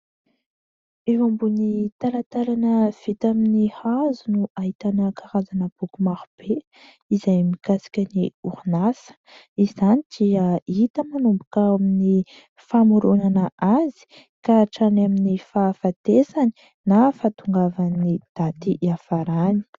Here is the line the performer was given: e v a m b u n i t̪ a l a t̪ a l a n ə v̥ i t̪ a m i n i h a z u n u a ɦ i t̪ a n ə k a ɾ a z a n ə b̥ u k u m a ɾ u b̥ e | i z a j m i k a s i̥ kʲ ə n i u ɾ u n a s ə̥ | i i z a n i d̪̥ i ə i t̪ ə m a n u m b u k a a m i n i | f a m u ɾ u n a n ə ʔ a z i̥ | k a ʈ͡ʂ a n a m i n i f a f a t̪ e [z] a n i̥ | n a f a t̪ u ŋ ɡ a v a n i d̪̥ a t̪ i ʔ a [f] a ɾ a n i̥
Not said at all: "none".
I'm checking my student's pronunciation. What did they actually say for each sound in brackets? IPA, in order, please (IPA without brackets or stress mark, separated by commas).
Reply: s, f